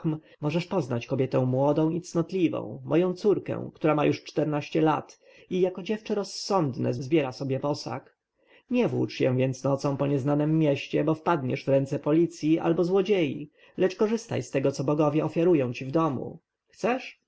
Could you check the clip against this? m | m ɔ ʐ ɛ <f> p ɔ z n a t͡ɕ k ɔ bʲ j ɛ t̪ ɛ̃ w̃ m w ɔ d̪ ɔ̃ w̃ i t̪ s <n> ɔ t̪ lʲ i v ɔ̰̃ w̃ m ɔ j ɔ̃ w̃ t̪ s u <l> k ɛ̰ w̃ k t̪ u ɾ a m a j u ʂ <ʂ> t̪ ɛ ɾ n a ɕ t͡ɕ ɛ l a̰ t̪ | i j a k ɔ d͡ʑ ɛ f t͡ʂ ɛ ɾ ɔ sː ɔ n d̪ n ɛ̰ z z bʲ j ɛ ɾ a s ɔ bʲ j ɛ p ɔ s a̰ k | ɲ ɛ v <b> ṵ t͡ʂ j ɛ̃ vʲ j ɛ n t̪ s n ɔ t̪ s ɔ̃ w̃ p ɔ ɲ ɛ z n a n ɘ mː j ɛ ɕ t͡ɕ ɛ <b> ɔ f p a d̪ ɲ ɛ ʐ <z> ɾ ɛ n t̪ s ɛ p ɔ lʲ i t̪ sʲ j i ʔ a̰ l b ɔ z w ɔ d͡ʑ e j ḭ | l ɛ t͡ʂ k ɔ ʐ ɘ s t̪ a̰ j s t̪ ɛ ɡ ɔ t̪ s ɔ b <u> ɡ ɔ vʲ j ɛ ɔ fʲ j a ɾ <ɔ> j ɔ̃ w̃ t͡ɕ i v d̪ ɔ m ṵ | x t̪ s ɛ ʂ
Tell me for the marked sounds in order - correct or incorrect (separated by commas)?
incorrect, correct, incorrect, incorrect, incorrect, correct, incorrect, incorrect, incorrect